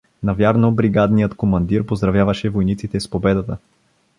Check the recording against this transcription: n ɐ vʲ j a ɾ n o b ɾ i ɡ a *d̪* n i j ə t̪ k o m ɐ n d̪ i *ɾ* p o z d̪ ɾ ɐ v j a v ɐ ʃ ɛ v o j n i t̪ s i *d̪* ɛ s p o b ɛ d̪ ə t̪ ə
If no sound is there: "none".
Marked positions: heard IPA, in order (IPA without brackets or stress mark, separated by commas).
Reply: d̪, ɾ, t̪